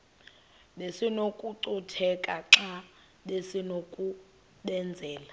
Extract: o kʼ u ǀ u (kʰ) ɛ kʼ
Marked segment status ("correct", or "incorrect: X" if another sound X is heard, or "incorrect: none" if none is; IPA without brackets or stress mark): incorrect: tʰ